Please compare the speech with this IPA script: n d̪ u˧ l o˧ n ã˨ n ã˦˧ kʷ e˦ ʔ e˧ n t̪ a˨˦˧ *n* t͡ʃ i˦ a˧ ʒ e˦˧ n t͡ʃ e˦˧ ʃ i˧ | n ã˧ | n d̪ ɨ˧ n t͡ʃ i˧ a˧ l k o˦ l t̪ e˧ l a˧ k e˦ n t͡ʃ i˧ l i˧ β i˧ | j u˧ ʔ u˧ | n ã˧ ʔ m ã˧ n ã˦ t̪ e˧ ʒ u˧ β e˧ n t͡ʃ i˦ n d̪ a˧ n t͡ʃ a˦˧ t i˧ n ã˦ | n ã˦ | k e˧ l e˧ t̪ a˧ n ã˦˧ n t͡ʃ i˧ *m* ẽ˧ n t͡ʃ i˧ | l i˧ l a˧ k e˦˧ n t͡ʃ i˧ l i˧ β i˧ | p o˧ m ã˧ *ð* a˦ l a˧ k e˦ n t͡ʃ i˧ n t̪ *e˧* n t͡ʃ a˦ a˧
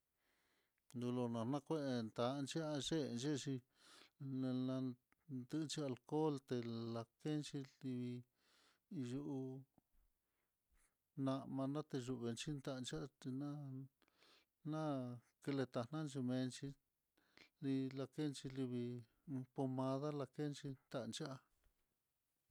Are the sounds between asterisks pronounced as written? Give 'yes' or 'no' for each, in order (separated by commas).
yes, yes, yes, no